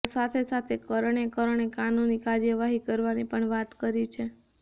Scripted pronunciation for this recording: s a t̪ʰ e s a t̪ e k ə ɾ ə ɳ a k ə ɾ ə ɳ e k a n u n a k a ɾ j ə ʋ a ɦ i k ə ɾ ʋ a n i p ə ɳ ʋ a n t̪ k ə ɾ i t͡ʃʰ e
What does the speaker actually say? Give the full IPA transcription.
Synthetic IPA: s a t̪ʰ e s a t̪ʰ e k ə ɾ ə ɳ e k ə ɾ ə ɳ e k a n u n i k a ɾ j ə ʋ a ɦ i k ə ɾ ʋ a n i p ə ɳ ʋ a t̪ k ə ɾ i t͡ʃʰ e